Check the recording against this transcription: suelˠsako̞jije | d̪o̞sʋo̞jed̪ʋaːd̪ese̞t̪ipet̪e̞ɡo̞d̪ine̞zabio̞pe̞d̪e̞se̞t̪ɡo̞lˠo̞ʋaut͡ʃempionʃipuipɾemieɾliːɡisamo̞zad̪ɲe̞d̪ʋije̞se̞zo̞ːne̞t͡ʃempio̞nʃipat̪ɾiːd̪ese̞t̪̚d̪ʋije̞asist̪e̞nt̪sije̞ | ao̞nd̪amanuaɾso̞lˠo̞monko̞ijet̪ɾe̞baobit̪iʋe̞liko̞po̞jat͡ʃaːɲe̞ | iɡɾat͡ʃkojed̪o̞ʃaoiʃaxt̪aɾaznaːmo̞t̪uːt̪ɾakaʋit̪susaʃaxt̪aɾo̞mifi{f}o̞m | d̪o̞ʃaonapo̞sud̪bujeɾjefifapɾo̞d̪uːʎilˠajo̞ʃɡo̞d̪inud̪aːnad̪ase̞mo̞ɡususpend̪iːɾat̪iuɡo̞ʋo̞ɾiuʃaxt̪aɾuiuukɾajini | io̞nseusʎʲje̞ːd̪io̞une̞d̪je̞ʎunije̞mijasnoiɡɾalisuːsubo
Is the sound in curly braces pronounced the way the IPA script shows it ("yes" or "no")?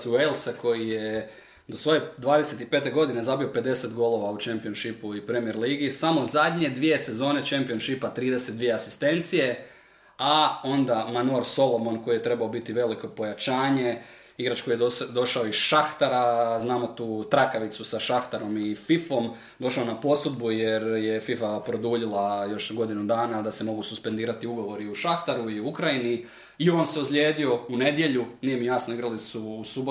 yes